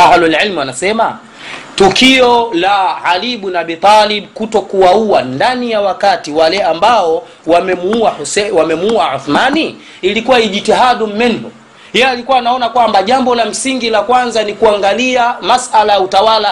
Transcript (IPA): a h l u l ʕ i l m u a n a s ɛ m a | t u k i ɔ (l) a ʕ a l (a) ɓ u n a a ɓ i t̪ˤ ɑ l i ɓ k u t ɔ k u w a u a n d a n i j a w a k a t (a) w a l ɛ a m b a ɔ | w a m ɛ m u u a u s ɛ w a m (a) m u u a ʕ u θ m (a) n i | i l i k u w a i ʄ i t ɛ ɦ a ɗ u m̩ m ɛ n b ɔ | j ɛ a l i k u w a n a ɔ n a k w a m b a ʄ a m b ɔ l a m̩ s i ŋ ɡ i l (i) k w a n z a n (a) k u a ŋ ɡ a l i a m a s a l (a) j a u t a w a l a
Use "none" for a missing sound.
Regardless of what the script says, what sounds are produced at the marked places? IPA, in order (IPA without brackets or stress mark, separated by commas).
l, i, i, ɛ, a, a, i, a